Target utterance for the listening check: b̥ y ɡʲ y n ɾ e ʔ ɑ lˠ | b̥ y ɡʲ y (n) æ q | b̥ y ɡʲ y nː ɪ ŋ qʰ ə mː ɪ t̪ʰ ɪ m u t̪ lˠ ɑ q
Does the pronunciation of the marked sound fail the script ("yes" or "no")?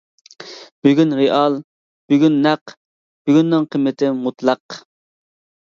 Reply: yes